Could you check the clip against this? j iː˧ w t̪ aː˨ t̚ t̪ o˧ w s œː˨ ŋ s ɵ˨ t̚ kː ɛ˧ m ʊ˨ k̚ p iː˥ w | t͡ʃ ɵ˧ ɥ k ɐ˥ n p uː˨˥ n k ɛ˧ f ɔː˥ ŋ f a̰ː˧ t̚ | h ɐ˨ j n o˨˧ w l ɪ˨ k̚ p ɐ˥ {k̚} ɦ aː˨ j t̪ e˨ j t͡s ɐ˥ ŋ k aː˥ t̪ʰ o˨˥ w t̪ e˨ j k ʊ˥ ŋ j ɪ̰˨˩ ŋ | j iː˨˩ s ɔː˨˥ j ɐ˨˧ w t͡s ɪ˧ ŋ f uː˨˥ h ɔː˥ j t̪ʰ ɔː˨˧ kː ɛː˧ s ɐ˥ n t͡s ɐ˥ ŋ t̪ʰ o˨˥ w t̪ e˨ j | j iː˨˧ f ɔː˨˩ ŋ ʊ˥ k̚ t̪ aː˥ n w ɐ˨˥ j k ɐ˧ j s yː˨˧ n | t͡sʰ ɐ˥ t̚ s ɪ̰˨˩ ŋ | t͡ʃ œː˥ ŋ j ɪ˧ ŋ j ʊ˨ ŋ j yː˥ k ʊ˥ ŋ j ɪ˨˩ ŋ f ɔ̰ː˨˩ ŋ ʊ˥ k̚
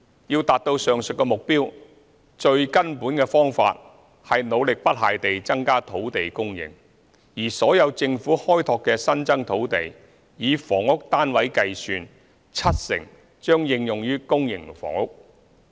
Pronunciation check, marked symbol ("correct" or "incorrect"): incorrect